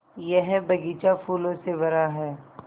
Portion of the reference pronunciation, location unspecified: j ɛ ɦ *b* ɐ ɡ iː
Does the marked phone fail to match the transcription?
no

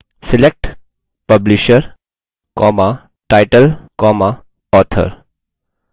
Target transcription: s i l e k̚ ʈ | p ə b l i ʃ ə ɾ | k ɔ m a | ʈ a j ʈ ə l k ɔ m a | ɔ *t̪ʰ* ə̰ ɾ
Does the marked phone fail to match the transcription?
no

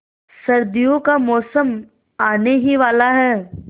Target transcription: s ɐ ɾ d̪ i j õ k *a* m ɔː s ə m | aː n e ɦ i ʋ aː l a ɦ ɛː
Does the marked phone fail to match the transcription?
no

